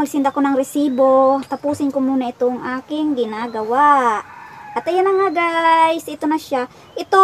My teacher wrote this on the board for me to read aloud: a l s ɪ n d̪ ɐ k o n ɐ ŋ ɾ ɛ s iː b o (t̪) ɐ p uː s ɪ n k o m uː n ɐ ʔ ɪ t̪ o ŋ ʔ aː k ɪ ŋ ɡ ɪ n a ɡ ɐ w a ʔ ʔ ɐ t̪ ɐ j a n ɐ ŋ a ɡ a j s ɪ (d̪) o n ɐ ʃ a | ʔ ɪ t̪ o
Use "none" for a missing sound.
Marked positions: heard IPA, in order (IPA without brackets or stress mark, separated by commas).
t̪, t̪